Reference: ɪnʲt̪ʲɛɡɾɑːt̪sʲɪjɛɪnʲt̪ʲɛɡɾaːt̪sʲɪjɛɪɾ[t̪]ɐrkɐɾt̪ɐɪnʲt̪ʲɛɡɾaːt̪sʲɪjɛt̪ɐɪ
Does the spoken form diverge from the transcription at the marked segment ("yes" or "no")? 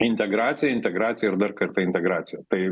yes